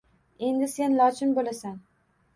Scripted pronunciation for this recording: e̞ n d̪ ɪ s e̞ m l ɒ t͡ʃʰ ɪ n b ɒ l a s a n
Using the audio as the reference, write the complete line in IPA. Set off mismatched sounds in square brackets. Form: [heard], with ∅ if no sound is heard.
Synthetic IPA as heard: e̞ n d̪ ɪ s e̞ [n] l ɒ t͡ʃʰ ɪ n b [o] l a s a n